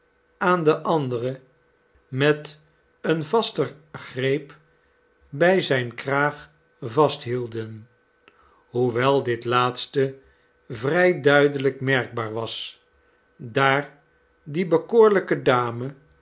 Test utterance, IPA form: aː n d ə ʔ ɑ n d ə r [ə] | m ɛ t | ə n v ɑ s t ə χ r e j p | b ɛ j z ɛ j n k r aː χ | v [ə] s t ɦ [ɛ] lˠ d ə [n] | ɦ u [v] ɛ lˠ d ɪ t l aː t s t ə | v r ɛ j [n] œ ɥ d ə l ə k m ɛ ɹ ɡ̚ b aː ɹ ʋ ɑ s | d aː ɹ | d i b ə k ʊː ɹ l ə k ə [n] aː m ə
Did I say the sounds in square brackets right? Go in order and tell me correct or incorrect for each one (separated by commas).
correct, incorrect, incorrect, correct, incorrect, incorrect, incorrect